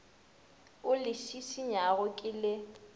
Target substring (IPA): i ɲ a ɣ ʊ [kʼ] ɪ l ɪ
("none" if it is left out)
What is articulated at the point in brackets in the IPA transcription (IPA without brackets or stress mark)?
kʼ